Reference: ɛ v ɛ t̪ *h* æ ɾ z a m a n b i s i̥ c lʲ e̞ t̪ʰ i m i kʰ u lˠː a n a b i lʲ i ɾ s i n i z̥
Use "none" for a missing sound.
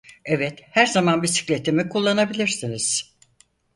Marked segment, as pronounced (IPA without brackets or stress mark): h